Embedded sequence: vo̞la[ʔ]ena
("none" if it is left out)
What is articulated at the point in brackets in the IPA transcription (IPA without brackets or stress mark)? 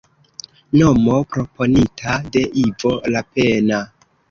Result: p